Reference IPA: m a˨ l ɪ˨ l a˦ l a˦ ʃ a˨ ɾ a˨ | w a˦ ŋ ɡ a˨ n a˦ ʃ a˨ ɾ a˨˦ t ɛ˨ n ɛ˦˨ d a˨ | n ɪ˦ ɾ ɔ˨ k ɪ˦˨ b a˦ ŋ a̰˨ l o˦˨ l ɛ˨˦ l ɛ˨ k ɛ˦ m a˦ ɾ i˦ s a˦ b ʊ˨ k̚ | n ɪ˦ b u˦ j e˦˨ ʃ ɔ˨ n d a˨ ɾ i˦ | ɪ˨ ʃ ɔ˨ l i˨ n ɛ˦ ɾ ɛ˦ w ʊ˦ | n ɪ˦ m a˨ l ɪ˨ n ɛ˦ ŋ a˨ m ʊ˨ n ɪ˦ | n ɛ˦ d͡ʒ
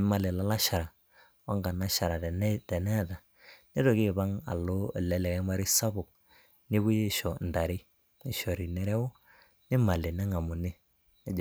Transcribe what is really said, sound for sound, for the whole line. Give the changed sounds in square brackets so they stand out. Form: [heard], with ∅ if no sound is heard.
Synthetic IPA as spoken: m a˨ l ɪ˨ l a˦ l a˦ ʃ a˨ ɾ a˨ | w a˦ ŋ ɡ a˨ n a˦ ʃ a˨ ɾ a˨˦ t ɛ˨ n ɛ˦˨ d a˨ | n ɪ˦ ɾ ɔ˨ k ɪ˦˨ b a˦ ŋ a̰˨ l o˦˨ l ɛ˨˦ l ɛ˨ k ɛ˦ m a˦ ɾ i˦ s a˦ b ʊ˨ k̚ | n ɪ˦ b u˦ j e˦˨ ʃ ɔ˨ n d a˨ ɾ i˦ | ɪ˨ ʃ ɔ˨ [ɾ] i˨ n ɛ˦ ɾ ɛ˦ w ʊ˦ | n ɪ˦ m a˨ l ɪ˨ n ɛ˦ ŋ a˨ m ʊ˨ n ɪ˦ | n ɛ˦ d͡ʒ

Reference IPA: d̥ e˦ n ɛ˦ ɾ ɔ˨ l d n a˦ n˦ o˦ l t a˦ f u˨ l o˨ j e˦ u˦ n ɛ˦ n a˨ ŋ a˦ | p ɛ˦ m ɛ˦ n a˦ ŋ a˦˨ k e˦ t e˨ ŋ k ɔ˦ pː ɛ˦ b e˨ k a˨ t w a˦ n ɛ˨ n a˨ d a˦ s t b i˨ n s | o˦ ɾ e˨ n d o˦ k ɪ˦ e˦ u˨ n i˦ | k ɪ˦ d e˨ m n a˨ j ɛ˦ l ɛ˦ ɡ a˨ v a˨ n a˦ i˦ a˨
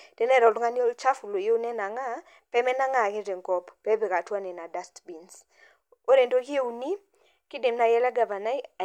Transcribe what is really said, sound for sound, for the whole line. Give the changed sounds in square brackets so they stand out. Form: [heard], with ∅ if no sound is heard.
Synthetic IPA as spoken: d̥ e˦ n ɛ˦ ɾ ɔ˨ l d [ŋ] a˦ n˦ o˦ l [t͡ʃ] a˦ f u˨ l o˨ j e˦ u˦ n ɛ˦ n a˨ ŋ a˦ | p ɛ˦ m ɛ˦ n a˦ ŋ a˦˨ k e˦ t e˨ ŋ k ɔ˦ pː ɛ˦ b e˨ k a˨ t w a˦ n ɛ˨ n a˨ d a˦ s t b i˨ n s | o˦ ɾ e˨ n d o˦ k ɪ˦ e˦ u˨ n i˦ | k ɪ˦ d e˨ m n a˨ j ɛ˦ l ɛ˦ ɡ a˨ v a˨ n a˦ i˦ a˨

